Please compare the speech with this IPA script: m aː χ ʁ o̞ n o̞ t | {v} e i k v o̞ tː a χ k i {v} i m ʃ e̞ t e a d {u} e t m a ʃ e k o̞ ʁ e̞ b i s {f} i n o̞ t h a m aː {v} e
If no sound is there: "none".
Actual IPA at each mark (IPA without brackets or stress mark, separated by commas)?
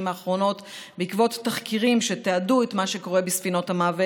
b, ʁ, u, f, v